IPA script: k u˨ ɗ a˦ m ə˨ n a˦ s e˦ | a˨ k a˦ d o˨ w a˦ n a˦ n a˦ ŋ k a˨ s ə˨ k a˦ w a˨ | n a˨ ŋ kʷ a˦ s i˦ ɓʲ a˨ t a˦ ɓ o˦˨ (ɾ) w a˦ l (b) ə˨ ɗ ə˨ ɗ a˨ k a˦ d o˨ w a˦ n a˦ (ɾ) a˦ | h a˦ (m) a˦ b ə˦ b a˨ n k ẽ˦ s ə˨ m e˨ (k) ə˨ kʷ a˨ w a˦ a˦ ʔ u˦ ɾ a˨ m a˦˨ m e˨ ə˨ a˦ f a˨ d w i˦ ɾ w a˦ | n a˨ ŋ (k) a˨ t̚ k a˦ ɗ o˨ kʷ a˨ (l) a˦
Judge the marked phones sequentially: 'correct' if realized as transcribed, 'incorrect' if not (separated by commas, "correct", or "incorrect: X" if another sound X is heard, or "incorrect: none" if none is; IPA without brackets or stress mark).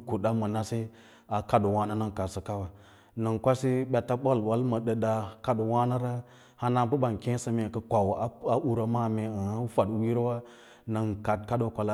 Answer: incorrect: l, incorrect: m, correct, incorrect: n, correct, correct, correct